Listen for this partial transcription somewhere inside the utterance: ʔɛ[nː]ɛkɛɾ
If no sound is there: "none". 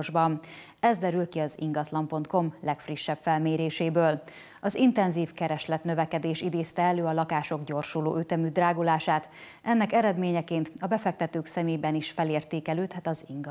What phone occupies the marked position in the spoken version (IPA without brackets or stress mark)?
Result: nː